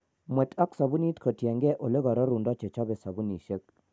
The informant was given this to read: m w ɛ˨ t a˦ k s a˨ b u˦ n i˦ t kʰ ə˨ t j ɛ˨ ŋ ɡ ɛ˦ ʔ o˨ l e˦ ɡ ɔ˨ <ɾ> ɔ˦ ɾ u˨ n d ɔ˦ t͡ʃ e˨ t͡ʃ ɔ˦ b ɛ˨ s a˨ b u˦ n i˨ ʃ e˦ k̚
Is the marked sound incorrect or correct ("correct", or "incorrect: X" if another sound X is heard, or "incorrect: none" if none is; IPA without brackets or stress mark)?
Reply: correct